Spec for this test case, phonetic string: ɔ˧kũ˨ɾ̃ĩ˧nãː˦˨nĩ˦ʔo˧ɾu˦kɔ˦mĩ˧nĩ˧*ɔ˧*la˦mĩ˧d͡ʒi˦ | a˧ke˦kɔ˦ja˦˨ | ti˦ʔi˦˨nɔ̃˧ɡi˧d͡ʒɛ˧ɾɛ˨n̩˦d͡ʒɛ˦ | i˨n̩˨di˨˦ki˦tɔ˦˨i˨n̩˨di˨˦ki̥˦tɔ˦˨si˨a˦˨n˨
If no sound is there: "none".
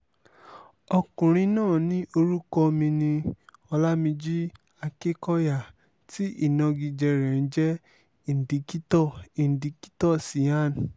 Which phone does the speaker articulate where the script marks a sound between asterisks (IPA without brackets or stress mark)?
ɔ˧